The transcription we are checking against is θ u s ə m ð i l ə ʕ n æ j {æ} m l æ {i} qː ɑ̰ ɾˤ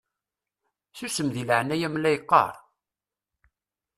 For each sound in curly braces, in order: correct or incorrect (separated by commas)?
correct, incorrect